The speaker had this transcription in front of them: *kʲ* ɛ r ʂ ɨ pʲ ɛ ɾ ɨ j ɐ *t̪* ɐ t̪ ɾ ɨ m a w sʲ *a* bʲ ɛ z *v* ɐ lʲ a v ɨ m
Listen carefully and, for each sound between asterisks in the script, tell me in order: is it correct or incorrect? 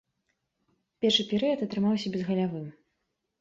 incorrect, correct, incorrect, incorrect

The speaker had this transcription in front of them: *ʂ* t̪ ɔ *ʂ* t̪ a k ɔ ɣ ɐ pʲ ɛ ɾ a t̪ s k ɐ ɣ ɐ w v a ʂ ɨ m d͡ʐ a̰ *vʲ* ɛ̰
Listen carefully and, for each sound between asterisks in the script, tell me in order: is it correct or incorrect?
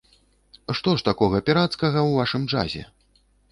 correct, correct, incorrect

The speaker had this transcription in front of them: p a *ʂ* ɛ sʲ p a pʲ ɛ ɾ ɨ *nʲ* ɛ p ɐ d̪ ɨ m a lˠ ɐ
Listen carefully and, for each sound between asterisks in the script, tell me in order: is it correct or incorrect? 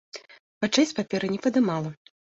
incorrect, correct

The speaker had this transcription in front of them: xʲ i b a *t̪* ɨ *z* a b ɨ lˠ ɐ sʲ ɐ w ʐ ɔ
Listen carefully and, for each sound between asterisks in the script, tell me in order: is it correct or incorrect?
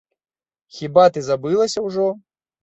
correct, correct

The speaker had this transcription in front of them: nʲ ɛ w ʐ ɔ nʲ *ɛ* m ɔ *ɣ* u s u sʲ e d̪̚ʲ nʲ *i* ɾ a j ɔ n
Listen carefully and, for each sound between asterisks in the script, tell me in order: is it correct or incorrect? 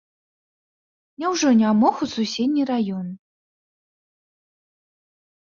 incorrect, incorrect, correct

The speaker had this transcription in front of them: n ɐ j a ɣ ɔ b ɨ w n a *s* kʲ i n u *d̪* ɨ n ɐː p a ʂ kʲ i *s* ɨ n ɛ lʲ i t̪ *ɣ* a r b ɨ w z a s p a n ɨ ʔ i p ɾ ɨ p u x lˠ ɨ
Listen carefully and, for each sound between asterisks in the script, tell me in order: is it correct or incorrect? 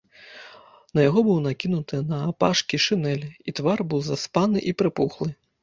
incorrect, incorrect, incorrect, incorrect

